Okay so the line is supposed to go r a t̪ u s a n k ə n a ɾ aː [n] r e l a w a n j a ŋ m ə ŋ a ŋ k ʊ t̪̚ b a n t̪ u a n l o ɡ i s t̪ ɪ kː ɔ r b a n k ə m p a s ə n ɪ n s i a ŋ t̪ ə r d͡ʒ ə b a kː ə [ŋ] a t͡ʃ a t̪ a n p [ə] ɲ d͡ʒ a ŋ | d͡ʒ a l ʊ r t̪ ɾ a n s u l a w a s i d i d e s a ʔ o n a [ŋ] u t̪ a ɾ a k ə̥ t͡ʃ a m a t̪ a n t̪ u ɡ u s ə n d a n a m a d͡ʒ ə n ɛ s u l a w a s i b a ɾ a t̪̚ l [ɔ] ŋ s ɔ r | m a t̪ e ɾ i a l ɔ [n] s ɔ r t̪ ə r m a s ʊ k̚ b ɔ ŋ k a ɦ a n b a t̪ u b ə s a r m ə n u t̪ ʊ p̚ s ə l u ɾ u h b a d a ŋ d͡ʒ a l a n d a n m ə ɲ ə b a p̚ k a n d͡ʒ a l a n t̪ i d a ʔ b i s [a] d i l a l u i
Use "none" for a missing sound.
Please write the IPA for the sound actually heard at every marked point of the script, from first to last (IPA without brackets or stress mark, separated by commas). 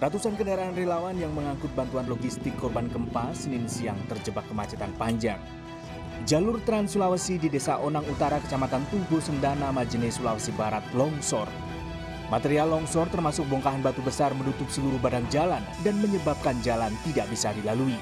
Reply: n, m, a, ŋ, ɔ, ŋ, a